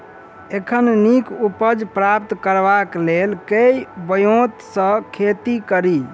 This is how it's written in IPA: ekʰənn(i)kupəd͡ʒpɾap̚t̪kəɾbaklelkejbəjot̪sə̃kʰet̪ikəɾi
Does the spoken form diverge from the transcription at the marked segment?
no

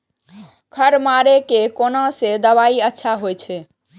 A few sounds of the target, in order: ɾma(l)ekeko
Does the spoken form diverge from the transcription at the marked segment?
yes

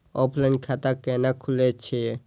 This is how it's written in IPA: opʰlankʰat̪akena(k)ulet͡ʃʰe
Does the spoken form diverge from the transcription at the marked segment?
yes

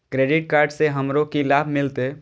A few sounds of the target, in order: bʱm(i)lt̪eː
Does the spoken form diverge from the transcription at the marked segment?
yes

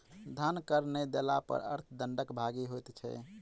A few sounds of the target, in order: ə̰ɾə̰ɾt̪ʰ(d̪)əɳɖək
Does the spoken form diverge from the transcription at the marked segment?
no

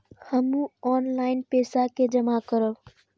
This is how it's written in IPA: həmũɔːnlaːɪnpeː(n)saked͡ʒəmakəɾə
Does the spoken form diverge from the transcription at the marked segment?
yes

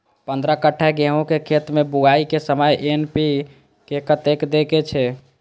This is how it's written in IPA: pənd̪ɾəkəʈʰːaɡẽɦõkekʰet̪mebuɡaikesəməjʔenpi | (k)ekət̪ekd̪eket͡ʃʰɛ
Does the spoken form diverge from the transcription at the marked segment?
no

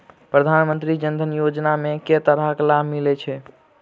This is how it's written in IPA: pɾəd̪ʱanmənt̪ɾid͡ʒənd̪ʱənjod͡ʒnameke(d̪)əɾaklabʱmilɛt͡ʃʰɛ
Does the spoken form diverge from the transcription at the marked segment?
yes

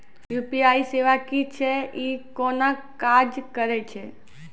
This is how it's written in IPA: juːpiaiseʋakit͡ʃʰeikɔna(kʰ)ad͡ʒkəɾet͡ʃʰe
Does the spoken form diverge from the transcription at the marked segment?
yes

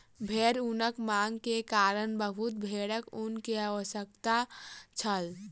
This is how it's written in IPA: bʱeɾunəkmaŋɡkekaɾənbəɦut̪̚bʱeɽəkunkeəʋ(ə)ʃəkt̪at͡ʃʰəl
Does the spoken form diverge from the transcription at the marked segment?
no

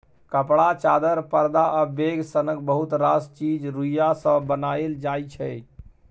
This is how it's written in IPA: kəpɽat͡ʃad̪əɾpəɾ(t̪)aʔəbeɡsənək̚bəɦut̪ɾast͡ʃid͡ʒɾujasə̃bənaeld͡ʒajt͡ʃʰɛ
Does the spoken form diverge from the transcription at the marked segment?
yes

